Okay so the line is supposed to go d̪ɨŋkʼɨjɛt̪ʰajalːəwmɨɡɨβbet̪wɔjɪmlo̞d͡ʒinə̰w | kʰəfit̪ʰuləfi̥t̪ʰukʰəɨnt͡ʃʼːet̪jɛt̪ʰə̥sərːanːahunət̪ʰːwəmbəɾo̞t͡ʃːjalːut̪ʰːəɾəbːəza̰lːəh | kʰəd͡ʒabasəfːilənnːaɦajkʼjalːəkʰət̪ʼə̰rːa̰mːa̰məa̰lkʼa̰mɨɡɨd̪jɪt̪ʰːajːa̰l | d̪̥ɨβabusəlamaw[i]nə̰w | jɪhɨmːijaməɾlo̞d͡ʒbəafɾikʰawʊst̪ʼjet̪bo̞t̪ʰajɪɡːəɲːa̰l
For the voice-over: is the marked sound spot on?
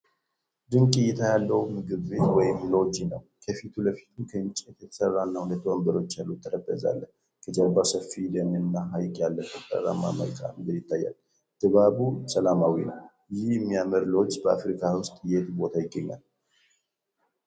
yes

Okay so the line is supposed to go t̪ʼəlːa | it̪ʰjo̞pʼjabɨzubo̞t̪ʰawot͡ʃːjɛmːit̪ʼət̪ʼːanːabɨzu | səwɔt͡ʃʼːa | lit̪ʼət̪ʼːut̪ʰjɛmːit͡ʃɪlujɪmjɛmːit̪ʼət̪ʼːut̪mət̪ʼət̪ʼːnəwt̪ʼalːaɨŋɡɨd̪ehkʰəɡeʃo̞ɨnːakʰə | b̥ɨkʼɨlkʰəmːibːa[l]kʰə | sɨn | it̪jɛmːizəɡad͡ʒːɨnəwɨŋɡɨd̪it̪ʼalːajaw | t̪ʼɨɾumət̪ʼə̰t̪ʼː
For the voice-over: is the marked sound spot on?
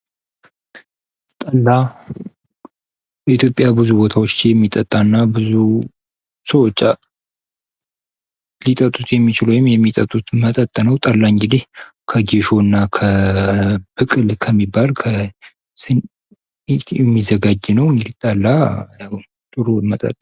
yes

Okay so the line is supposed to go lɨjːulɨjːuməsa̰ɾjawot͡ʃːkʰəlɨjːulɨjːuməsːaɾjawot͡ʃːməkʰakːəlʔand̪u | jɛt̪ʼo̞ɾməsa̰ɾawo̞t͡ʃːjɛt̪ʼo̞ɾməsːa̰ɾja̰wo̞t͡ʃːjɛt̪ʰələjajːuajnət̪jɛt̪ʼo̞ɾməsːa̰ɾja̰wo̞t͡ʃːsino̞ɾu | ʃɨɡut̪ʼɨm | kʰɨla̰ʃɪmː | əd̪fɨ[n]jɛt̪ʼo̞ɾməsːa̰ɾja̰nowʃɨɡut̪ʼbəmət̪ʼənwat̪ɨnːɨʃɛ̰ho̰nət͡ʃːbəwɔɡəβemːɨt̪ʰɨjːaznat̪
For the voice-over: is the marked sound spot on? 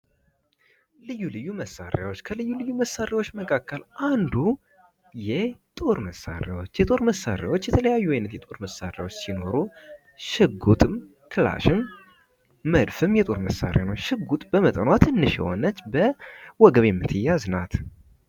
no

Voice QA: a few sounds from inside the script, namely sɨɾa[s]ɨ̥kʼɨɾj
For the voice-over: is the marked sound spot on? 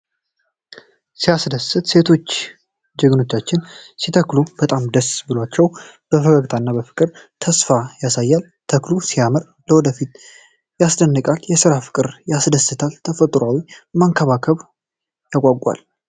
no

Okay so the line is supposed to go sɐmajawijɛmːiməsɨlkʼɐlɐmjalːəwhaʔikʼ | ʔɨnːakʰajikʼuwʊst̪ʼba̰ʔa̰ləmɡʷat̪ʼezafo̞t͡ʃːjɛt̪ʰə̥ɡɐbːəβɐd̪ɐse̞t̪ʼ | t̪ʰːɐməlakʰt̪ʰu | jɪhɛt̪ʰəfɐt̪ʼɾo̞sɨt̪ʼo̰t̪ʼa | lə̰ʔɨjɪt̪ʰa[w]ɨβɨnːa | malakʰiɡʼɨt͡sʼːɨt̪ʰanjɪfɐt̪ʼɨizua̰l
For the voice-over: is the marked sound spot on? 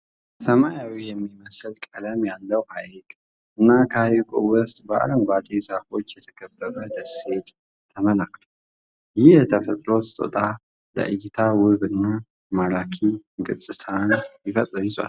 yes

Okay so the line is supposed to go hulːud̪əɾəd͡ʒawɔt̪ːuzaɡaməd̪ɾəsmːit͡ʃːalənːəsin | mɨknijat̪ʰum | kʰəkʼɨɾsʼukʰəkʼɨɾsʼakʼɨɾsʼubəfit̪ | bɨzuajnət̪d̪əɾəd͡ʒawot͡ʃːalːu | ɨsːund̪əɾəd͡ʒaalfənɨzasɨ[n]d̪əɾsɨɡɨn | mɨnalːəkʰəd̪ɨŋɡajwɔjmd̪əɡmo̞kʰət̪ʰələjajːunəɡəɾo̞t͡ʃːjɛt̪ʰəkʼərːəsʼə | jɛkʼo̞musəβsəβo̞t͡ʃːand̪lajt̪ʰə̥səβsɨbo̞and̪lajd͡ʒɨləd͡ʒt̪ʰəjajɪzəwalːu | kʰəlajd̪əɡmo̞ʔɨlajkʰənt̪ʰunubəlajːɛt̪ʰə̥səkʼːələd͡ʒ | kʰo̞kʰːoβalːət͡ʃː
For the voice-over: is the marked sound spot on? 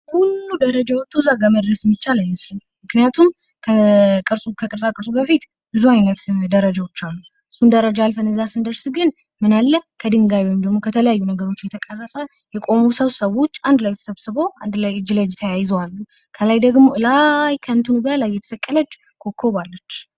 yes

